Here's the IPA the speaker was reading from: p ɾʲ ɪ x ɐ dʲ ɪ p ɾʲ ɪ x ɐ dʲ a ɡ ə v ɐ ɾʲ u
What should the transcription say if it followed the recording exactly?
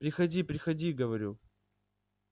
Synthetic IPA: p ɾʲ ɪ x ɐ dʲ i p ɾʲ ɪ x ɐ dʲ i ɡ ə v ɐ ɾʲ u